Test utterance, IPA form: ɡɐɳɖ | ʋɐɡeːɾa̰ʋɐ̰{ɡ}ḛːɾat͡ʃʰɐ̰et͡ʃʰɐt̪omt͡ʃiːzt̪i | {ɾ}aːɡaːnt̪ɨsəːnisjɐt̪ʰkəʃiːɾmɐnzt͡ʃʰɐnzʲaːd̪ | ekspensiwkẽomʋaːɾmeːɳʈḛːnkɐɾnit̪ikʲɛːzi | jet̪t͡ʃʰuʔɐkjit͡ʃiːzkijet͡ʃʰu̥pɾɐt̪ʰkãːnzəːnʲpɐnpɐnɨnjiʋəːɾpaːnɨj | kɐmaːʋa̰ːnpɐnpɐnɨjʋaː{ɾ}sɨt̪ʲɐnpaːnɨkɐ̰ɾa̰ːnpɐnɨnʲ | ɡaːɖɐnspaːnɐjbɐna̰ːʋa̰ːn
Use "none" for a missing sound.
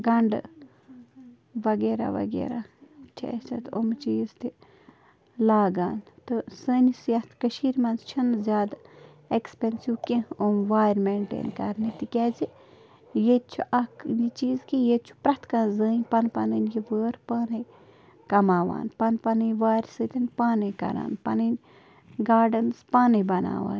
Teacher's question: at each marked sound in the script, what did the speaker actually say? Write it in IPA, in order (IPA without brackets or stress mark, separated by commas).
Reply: ɡ, l, ɾ